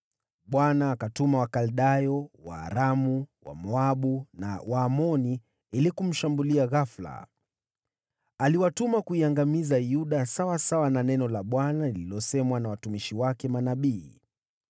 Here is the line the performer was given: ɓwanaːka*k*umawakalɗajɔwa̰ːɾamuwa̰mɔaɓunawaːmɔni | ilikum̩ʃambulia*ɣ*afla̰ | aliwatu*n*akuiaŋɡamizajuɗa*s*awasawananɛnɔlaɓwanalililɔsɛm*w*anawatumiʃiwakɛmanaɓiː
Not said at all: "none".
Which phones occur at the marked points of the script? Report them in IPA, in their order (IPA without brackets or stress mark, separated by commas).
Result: t, ɣ, m, s, w